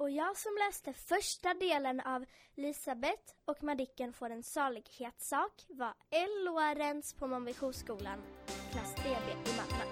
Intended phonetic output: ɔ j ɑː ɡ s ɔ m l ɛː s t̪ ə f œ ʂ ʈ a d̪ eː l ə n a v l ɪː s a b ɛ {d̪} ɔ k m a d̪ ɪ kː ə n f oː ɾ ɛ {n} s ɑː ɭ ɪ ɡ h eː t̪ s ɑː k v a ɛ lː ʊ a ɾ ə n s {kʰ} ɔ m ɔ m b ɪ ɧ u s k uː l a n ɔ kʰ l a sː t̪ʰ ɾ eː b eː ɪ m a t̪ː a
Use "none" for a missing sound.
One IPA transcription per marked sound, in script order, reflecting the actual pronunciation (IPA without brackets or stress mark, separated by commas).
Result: t̪, n, pʰ